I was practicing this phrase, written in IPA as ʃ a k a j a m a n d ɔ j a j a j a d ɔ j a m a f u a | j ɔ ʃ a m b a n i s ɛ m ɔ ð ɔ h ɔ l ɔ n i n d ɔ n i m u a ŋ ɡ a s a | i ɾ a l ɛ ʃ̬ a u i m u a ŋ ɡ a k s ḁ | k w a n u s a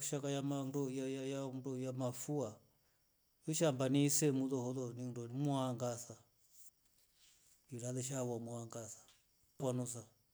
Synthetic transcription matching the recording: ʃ a k a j a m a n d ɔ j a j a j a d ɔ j a m a f u a | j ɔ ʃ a m b a n i s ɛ m u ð ɔ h ɔ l ɔ n i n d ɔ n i m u a ŋ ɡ a s a | i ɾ a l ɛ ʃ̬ a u a m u a ŋ ɡ a s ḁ | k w a n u s a